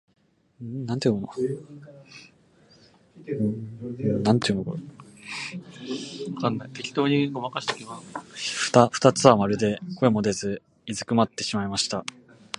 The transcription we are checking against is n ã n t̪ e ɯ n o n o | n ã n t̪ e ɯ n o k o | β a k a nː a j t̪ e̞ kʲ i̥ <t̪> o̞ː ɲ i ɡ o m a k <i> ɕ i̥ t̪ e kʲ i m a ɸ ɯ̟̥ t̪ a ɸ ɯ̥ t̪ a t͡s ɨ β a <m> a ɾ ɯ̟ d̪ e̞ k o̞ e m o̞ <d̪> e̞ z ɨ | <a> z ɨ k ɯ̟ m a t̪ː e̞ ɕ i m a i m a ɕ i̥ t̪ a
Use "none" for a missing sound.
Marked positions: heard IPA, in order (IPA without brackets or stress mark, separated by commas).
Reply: t̪, a, m, d̪, i